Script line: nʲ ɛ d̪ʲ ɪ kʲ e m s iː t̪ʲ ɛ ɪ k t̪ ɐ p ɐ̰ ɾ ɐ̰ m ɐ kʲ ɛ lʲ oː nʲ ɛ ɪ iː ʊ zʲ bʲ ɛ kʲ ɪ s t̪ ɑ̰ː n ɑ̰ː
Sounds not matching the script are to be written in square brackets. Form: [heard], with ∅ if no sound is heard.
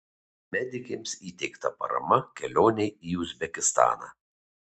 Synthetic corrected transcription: [mʲ] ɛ d̪ʲ ɪ kʲ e m s iː t̪ʲ ɛ ɪ k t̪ ɐ p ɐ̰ ɾ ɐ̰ m ɐ kʲ ɛ lʲ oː nʲ ɛ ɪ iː ʊ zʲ bʲ ɛ kʲ ɪ s t̪ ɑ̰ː n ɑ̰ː